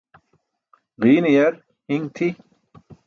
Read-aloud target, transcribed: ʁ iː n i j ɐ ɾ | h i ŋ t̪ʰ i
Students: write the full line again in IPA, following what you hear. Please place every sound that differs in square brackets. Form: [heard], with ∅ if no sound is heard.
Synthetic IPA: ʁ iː n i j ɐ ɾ | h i ŋ t̪ʰ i